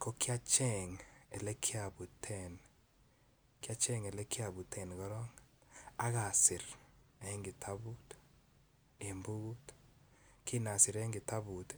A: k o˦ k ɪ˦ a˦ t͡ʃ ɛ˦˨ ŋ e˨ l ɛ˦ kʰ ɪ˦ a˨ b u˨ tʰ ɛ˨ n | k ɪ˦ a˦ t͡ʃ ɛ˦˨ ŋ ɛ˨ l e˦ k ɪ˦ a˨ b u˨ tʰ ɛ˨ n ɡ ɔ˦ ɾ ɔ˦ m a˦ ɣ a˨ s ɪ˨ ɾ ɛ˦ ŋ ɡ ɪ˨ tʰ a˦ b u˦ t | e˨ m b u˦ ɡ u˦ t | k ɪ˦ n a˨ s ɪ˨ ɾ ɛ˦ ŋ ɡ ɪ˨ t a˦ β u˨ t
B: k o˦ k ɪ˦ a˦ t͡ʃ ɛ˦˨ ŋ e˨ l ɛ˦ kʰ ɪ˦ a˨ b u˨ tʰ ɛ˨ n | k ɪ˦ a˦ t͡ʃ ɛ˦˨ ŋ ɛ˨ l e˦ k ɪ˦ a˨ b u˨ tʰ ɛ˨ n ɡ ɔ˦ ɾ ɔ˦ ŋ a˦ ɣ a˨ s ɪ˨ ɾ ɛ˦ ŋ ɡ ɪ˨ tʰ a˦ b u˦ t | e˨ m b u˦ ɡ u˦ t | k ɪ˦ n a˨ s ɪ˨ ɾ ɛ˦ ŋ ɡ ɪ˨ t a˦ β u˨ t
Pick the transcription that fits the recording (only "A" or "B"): B